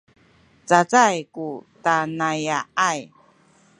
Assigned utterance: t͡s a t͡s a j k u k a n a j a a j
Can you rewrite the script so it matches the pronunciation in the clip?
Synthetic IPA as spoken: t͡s a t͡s a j k u t a n a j a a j